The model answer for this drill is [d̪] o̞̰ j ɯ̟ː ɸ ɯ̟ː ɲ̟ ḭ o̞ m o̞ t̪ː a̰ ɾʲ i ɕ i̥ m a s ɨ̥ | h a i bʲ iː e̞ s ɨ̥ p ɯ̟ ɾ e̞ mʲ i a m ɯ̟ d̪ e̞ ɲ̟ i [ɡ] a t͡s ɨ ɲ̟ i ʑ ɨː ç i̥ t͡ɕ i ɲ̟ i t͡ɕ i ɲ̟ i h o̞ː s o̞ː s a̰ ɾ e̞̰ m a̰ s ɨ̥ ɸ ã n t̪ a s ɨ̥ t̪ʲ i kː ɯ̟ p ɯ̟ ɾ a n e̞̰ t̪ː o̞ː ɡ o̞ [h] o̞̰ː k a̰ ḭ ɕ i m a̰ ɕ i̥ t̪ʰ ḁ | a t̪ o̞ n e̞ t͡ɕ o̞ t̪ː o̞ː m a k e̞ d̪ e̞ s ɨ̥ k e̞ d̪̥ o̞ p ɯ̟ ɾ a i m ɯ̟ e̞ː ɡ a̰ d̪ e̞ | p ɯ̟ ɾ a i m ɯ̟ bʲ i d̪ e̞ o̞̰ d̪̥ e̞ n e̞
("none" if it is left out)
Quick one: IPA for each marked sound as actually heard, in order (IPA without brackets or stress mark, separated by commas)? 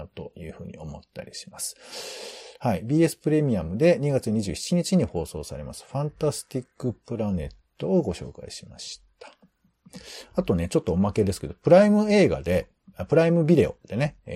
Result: t̪, ɡ, ɕ